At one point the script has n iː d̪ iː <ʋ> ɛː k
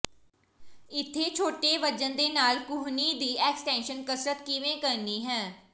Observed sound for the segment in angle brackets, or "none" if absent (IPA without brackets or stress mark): none